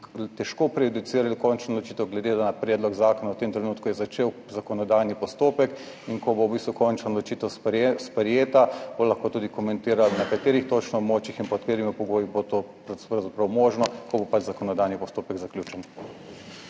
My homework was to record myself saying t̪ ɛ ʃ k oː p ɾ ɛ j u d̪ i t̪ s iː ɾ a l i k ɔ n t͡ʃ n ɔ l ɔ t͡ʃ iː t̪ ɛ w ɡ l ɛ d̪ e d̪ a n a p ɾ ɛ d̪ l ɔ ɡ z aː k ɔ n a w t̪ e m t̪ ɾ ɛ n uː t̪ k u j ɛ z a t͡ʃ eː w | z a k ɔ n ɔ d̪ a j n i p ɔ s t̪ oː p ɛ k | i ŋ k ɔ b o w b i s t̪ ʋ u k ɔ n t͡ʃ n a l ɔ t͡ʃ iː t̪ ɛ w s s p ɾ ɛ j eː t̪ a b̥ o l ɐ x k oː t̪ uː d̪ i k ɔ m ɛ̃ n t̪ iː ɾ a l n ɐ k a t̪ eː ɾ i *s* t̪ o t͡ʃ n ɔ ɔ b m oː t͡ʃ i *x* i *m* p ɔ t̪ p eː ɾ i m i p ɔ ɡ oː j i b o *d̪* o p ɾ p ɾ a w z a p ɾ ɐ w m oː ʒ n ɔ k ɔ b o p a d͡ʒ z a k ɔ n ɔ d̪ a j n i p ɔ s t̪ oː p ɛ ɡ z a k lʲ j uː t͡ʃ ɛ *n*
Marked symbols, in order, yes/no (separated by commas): no, yes, no, no, yes